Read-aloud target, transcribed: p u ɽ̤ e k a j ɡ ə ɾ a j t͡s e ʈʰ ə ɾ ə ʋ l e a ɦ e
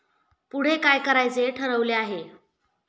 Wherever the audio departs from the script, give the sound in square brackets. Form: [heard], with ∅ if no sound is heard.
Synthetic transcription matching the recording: p u ɽ̤ e k a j [k] ə ɾ a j t͡s e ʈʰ ə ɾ ə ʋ l e a ɦ e

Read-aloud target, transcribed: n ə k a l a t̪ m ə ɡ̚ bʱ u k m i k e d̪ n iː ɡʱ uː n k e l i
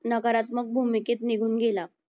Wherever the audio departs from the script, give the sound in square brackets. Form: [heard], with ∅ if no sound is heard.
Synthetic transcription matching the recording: n ə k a [ɾ] a t̪ m ə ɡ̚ bʱ u [∅] m i k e [t̪] n [i] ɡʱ uː n [ɡ] e l [a]

